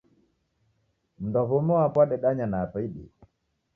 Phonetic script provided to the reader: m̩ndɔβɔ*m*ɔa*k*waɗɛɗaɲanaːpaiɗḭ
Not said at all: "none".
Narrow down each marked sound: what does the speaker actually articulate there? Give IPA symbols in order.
m, p

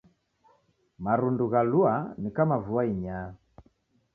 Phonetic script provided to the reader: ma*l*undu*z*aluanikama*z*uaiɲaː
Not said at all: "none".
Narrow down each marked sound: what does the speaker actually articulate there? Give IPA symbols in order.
ɾ, ɣ, v

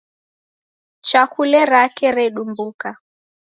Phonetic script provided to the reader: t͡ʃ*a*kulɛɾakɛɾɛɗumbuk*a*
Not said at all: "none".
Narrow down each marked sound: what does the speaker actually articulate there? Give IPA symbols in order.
a, a

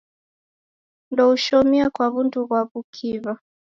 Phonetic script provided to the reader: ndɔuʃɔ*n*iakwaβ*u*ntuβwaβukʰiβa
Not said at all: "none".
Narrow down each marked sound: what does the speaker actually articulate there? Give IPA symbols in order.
m, u

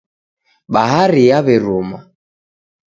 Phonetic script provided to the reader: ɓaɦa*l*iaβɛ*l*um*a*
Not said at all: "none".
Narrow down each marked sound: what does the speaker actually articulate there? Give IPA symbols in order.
ɾ, ɾ, a

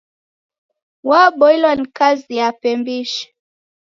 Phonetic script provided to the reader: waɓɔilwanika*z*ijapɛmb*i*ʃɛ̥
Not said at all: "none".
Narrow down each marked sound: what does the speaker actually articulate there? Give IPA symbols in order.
z, i

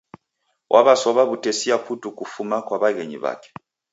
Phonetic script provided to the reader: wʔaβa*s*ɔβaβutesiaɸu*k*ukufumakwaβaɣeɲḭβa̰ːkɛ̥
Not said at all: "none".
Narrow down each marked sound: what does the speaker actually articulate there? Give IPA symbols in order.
s, t

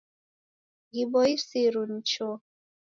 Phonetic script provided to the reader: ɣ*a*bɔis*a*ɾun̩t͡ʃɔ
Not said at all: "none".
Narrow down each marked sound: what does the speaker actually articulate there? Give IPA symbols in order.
i, i

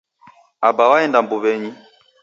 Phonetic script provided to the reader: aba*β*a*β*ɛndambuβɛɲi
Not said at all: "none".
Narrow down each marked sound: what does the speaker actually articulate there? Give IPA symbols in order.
w, none

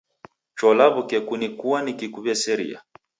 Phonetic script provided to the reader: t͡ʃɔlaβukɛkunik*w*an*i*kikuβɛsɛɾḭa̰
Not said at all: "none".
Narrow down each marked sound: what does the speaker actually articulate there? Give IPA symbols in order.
u, i

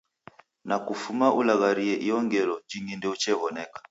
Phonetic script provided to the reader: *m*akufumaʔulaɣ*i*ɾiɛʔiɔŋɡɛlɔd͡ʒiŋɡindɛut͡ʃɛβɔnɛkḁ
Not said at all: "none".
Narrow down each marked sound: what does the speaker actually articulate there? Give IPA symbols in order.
n, a

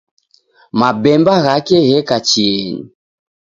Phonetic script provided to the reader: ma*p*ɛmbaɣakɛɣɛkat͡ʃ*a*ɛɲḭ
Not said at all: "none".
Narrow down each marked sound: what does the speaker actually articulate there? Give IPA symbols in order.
b, i

